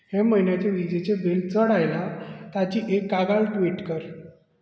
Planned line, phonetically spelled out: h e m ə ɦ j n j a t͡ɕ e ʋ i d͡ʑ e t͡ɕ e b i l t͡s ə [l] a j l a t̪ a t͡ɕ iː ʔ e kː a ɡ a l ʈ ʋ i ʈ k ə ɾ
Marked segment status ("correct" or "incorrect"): incorrect